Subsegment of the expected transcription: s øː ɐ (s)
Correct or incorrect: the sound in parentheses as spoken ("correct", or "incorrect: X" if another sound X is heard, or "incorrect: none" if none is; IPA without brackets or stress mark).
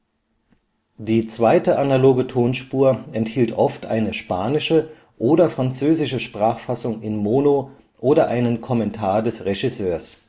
correct